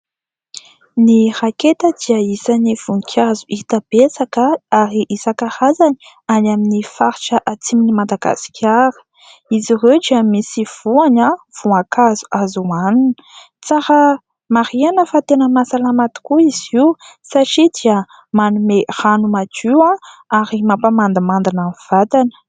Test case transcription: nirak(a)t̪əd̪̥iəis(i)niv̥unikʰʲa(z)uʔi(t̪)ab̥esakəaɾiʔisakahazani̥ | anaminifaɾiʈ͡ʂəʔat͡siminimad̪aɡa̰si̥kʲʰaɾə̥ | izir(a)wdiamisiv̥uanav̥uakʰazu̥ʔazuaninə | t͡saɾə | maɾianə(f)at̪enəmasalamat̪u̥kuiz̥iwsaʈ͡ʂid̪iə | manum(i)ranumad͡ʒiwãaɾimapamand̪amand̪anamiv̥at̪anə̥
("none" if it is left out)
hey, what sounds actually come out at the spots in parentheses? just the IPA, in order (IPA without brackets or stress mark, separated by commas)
e, a, z, t̪, e, f, e